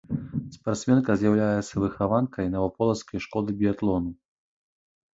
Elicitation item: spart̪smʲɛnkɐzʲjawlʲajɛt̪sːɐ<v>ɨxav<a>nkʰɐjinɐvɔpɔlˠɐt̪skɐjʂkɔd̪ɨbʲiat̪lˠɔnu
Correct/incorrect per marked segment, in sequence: correct, correct

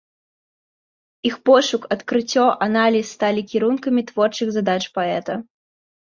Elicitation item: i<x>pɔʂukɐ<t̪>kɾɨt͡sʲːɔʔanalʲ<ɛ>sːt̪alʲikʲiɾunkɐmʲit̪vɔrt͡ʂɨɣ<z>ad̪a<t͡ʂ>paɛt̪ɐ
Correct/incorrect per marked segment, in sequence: correct, correct, incorrect: i, correct, correct

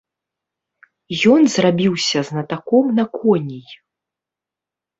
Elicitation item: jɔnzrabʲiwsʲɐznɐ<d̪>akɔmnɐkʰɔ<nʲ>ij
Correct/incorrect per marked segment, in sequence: incorrect: t̪, correct

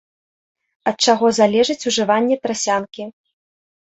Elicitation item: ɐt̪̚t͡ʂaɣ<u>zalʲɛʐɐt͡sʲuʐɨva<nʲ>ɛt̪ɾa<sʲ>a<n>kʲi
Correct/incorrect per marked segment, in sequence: incorrect: ɔ, incorrect: nʲː, correct, correct

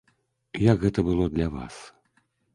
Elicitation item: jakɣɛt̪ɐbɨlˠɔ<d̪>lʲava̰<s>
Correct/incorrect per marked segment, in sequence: correct, correct

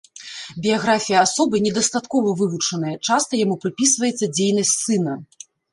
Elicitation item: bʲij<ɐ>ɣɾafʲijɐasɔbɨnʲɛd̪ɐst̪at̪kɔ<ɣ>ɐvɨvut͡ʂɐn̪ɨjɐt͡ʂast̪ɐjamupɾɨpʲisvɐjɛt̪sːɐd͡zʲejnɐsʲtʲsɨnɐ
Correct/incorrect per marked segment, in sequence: incorrect: a, incorrect: v

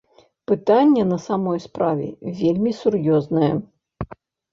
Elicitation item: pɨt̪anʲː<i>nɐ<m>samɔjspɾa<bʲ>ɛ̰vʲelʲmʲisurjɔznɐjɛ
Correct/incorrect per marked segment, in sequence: incorrect: ɛ, incorrect: none, incorrect: vʲ

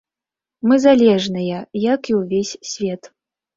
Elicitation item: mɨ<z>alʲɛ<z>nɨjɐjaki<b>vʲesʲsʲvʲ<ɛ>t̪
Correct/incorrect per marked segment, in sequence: correct, incorrect: ʐ, incorrect: w, correct

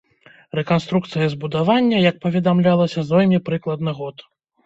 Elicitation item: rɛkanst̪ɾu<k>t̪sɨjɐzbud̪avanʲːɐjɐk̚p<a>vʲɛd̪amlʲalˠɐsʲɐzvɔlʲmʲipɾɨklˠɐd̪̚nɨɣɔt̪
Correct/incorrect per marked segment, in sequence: correct, incorrect: ɐ

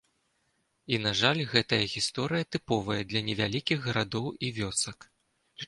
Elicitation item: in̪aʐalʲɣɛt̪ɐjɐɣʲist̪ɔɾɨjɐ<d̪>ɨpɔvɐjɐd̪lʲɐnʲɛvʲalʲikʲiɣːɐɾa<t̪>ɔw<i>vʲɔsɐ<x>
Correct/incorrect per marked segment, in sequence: incorrect: t̪, incorrect: d̪, correct, incorrect: k

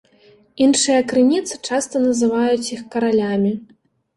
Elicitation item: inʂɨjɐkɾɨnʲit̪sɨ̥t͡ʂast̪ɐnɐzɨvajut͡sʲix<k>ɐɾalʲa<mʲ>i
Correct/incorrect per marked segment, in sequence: correct, correct

